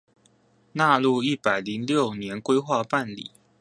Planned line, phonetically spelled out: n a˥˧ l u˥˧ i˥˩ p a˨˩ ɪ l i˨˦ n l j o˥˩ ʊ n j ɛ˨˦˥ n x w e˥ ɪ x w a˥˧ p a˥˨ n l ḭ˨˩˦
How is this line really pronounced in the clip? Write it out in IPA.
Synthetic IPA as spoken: n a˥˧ l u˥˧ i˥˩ p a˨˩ ɪ l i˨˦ ŋ l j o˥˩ ʊ n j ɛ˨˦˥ n k w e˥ ɪ x w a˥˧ p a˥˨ n l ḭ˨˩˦